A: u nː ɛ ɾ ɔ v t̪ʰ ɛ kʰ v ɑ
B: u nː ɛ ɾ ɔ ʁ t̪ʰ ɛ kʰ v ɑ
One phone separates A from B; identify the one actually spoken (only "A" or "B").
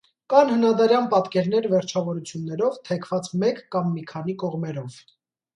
A